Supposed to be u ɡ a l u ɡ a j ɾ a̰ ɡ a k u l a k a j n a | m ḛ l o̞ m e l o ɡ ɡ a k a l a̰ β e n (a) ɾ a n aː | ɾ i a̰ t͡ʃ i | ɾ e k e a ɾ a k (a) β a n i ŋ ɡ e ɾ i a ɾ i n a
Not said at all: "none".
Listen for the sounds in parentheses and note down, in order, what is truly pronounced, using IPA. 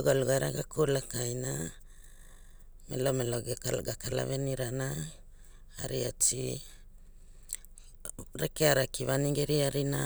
i, i

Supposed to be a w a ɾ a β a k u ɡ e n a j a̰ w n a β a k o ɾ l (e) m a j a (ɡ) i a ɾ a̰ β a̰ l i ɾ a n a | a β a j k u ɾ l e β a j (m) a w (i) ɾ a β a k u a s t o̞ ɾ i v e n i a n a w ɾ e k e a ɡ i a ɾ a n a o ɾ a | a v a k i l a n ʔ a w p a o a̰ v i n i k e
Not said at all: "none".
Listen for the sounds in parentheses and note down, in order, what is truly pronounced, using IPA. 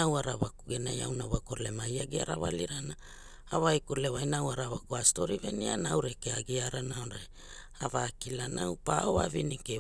e, ɡ, n, a

